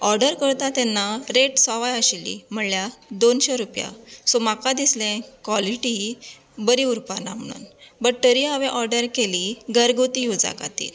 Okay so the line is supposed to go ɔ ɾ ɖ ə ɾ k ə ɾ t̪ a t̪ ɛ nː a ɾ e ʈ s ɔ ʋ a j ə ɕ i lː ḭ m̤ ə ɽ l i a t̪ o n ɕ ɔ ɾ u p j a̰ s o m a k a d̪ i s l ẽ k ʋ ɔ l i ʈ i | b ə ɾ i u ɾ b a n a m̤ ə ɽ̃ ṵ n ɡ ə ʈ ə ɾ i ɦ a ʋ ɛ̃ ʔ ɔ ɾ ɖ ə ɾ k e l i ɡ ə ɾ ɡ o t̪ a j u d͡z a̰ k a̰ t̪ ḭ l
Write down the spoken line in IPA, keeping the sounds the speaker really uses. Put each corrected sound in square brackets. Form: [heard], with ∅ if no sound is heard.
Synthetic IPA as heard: ɔ ɾ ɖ ə ɾ k ə ɾ t̪ a t̪ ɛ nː a ɾ e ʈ s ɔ ʋ a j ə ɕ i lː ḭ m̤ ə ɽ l [j] a [d̪] o n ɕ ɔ ɾ u p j a̰ s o m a k a d̪ i s l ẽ k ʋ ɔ l i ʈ i | b ə ɾ i u ɾ [p] a n a m̤ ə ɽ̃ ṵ n [b] ə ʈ ə ɾ i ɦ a ʋ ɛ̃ ʔ ɔ ɾ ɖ ə ɾ k e l i ɡ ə ɾ ɡ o t̪ [i] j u d͡z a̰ k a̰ t̪ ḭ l